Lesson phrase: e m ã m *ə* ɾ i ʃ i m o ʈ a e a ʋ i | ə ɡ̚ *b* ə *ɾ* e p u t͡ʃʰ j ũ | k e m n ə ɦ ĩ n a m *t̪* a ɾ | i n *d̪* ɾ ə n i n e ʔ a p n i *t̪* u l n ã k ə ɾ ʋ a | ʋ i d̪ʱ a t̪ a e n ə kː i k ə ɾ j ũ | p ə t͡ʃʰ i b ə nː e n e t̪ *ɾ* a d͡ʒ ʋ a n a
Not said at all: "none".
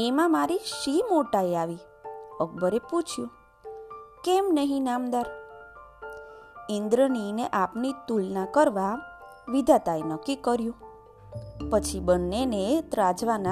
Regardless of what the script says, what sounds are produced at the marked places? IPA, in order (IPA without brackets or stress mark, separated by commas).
a, b, ɾ, d̪, d̪, t̪, ɾ